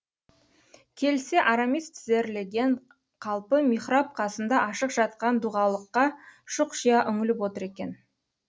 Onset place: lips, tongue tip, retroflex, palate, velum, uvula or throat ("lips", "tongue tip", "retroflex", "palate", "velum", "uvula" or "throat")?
velum